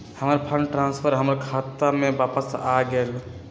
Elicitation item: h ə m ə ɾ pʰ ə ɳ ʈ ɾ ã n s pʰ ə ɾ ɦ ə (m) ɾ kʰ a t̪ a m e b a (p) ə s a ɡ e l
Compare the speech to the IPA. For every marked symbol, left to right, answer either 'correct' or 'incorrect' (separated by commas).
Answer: correct, correct